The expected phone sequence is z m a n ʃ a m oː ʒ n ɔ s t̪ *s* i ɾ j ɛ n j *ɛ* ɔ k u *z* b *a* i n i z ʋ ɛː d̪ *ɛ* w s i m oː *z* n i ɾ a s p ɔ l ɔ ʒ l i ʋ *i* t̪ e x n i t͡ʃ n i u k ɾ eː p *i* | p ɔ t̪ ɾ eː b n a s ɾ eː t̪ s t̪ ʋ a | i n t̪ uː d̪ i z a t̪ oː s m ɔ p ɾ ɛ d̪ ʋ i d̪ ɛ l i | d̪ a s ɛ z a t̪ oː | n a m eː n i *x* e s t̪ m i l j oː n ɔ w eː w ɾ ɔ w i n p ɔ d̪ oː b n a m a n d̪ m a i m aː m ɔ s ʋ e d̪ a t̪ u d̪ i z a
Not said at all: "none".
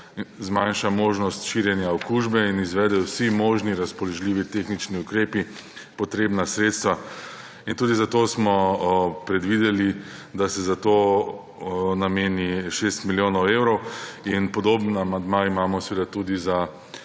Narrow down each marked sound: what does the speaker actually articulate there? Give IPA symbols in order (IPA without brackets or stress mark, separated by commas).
ʃ, a, ʒ, ɛ, ɛ, ʒ, i, i, ʃ